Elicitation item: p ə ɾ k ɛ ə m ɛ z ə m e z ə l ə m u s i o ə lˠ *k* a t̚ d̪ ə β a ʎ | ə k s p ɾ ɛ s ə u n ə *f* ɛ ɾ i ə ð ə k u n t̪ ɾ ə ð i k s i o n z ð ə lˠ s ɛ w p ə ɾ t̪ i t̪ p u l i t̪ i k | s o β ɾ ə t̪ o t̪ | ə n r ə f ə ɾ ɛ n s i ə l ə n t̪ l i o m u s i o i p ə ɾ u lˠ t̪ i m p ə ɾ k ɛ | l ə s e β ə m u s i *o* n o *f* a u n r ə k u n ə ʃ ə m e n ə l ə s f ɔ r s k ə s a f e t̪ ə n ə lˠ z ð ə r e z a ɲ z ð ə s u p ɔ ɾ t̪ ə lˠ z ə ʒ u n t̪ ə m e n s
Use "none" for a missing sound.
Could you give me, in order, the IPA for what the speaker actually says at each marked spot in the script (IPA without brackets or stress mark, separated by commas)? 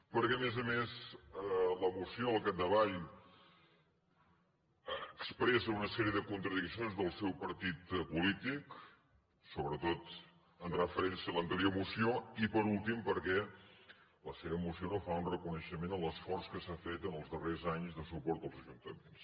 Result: k, s, o, f